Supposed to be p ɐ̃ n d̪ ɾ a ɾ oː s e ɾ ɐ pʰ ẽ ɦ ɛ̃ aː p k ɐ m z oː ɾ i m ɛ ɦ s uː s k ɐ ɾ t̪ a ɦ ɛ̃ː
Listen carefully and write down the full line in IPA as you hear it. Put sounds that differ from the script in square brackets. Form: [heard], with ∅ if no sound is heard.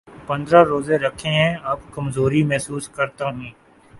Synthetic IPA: p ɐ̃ n d̪ ɾ a ɾ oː [z] e ɾ ɐ [kʰ] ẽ ɦ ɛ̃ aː p k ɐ m z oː ɾ i m ɛ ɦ s uː s k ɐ ɾ t̪ a ɦ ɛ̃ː

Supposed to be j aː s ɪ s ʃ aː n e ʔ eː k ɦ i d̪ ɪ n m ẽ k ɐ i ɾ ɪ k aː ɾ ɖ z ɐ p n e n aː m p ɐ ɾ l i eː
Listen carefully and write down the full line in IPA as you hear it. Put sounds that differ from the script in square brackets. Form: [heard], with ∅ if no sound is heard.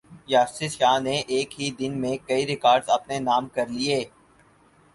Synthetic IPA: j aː s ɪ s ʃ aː n e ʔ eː k ɦ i d̪ ɪ n m ẽ k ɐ i ɾ ɪ k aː ɾ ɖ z ɐ p n e n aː m [k] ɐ ɾ l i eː

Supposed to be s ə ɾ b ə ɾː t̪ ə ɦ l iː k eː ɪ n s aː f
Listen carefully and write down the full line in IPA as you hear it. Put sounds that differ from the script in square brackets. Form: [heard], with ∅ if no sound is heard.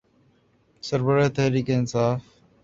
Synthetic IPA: s ə ɾ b ə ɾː t̪ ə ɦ [ɾ] iː k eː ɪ n s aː f

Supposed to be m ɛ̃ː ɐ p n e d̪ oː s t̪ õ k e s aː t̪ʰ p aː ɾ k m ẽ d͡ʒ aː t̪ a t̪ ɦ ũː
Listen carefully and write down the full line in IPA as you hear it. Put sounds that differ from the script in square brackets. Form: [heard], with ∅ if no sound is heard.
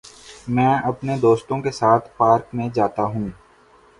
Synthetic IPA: m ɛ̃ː ɐ p n e d̪ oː s t̪ õ k e s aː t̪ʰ p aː ɾ k m ẽ d͡ʒ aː t̪ a [∅] ɦ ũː

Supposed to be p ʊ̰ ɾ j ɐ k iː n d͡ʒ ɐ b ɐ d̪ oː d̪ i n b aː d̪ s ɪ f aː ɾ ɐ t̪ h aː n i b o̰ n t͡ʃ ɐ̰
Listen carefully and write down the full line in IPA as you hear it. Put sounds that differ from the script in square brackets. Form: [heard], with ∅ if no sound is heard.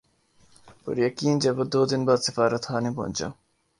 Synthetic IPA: p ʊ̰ ɾ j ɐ k iː n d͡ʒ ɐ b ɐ d̪ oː d̪ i n b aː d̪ s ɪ f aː ɾ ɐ t̪ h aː n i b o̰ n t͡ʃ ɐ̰

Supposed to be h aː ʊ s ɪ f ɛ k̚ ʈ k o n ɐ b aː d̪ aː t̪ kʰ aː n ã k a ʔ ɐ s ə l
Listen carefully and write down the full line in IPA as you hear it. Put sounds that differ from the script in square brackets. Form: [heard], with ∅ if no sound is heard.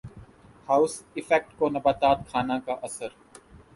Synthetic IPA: h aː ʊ s ɪ f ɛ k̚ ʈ k o n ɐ b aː [t̪] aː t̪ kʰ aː n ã k a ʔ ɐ s ə [ɾ]

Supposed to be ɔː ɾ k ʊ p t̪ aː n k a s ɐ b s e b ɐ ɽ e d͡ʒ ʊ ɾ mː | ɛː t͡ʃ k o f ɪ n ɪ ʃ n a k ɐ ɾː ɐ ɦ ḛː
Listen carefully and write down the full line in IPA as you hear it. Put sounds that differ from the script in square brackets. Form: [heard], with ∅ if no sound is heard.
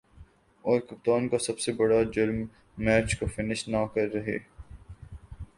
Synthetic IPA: ɔː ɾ k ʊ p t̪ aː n k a s ɐ b s e b ɐ ɽ [a] d͡ʒ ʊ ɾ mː | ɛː t͡ʃ k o f ɪ n ɪ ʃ n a k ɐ ɾː ɐ ɦ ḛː

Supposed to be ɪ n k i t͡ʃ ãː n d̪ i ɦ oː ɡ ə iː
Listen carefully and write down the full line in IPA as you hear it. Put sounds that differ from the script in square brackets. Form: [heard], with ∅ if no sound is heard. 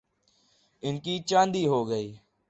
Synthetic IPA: ɪ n k [iː] t͡ʃ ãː n d̪ [iː] ɦ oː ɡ ə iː

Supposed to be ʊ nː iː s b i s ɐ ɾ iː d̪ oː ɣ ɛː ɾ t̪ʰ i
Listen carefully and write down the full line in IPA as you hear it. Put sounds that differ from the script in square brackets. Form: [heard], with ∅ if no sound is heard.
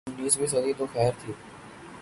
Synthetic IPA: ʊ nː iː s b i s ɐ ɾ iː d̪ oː [x] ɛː ɾ t̪ʰ i

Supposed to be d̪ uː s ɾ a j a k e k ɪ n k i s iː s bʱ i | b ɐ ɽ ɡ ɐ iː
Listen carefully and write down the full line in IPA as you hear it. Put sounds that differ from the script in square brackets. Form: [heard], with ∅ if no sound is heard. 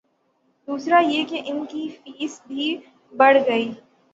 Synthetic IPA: d̪ uː s ɾ a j [e] k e [ʔ] ɪ n k i [f] iː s bʱ i | b ɐ ɽ ɡ ɐ iː

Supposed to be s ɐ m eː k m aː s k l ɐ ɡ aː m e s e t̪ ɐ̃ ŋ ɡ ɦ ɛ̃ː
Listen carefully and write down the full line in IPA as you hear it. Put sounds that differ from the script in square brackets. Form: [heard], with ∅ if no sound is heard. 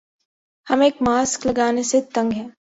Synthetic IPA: [h] ɐ m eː k m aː s k l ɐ ɡ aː [n] e s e t̪ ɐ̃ ŋ ɡ ɦ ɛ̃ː

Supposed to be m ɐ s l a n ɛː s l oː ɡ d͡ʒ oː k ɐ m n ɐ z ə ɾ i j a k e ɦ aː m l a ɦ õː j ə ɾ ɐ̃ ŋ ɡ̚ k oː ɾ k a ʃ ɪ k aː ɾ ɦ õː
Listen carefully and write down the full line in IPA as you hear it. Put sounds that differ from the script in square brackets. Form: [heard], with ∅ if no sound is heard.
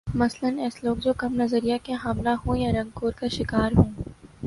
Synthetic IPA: m ɐ s l [ə] n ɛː s l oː ɡ d͡ʒ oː k ɐ m n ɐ z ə ɾ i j a k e ɦ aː m l a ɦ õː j [a] ɾ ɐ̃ ŋ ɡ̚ k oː ɾ k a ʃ ɪ k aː ɾ ɦ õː

